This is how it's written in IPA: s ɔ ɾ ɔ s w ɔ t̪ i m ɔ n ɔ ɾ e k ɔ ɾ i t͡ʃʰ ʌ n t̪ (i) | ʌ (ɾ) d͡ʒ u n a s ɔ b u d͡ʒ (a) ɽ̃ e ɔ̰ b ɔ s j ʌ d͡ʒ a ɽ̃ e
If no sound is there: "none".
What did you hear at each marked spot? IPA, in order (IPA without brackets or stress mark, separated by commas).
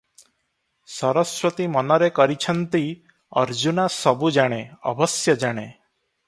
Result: i, ɾ, a